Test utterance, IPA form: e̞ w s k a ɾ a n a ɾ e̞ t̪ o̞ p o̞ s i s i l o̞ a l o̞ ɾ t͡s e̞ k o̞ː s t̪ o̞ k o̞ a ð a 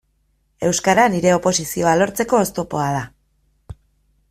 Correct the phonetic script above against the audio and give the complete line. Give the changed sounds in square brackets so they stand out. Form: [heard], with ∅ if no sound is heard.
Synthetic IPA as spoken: e̞ w s k a ɾ a n [i] ɾ e̞ [∅] o̞ p o̞ s i s i [∅] o̞ a l o̞ ɾ t͡s e̞ k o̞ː s t̪ o̞ [p] o̞ a ð a